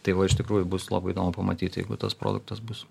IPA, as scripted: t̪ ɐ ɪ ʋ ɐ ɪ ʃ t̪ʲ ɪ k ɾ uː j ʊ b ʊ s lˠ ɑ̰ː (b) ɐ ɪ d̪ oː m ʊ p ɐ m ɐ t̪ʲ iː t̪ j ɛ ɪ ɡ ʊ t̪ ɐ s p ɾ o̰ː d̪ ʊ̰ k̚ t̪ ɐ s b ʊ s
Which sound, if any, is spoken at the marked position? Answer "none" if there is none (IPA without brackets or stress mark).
b